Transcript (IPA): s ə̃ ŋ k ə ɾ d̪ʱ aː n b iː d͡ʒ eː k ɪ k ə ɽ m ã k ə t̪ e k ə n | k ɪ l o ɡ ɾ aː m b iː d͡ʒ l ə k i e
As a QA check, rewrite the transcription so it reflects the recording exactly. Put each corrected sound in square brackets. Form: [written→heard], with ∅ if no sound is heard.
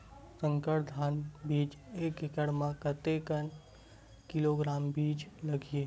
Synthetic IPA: s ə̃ ŋ k ə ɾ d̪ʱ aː n b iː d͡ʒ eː k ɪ k ə ɽ m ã k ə t̪ e k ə n | k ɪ l o ɡ ɾ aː m b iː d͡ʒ l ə [k→ɡ] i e